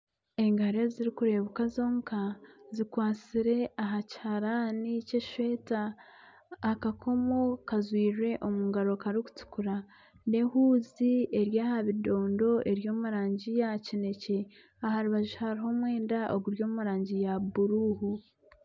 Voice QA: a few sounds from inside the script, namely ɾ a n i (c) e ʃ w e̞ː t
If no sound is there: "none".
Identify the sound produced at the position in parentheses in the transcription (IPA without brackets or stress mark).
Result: c